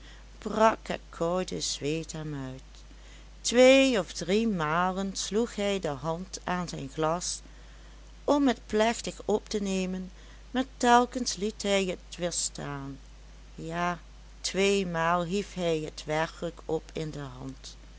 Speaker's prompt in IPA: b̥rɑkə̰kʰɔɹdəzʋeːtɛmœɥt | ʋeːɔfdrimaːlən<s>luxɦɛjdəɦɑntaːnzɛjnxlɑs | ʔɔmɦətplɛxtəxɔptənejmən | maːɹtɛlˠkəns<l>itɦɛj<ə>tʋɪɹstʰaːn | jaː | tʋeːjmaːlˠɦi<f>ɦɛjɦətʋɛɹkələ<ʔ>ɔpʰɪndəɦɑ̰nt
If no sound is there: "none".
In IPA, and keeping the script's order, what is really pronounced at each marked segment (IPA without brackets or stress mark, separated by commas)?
s, l, ə, f, k